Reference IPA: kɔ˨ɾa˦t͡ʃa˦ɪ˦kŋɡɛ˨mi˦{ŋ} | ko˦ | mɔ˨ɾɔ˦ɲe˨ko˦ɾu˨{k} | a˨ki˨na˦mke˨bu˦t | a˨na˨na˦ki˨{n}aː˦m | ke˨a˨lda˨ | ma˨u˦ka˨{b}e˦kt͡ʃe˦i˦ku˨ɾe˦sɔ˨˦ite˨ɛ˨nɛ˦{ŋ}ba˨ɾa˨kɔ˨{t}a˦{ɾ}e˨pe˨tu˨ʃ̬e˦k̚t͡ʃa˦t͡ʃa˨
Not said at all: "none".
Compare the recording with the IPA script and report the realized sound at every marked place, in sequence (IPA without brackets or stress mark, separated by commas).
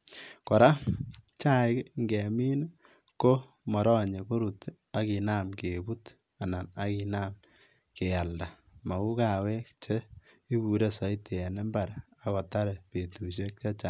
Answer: n, t, n, w, m, t, ɾ